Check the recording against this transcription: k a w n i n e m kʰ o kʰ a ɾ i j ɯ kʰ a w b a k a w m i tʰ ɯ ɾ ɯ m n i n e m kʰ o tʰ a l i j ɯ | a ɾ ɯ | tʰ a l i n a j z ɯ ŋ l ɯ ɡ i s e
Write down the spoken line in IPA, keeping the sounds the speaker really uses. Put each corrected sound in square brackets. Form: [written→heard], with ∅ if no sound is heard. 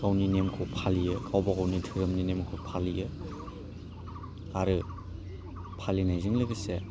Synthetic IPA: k a w n i n e m kʰ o [kʰ→pʰ] a [ɾ→l] i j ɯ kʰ a w b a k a w [m→n] i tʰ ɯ ɾ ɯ m n i n e m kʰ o [tʰ→pʰ] a l i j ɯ | a ɾ ɯ | [tʰ→pʰ] a l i n a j z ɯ ŋ l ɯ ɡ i s e